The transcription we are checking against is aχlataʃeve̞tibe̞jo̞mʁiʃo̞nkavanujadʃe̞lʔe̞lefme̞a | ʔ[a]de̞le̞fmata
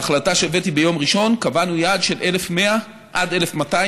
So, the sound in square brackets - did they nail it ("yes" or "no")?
yes